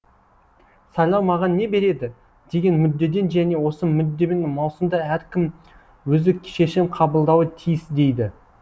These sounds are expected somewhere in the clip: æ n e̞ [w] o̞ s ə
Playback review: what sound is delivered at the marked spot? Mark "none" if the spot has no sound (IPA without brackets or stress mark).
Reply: w